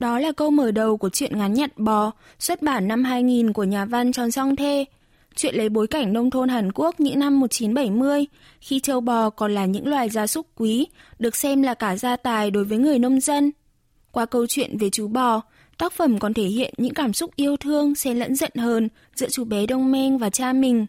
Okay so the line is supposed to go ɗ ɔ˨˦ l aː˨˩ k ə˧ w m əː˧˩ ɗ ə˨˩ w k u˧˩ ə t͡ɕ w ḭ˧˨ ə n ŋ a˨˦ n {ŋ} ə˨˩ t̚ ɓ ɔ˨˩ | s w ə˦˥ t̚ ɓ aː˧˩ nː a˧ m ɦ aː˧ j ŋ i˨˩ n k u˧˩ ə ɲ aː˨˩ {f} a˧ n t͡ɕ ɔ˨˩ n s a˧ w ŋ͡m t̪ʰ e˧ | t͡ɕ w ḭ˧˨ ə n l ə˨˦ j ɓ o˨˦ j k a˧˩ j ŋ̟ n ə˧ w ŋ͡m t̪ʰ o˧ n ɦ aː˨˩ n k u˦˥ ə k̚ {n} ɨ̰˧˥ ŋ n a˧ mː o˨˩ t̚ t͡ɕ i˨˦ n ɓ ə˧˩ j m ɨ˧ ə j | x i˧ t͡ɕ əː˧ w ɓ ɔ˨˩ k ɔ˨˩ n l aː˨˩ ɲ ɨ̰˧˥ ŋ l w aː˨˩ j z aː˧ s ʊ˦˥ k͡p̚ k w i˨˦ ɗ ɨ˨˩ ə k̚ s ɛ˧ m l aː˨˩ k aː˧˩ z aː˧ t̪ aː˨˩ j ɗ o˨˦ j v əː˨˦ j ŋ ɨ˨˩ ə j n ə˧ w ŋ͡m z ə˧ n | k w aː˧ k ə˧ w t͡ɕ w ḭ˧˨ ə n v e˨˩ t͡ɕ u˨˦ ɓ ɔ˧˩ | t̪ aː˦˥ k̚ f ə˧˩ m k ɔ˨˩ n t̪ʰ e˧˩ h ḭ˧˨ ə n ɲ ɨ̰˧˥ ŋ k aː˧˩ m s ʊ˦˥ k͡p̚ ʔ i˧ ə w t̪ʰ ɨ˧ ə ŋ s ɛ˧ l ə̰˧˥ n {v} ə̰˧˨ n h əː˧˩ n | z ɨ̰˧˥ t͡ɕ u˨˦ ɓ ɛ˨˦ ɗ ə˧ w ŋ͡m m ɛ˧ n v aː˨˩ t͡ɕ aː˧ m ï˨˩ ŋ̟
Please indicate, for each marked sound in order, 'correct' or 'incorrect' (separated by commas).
incorrect, incorrect, incorrect, incorrect